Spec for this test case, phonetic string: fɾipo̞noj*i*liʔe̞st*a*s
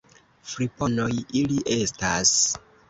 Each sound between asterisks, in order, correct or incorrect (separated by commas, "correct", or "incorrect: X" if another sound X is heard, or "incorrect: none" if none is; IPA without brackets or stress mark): correct, correct